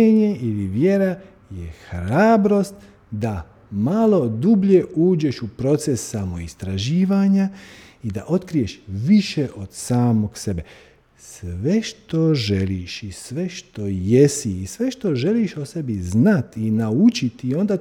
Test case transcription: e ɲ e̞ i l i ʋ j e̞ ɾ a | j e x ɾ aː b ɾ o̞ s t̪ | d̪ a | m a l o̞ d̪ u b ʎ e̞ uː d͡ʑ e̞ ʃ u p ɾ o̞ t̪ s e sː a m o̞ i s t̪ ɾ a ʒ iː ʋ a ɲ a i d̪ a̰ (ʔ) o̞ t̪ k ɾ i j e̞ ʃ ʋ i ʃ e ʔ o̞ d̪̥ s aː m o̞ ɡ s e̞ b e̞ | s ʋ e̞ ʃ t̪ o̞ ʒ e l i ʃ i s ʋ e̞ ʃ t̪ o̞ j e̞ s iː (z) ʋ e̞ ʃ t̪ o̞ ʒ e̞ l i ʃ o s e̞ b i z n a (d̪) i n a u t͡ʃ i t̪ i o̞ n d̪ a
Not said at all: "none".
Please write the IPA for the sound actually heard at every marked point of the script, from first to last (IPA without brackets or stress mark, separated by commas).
ʔ, s, t̪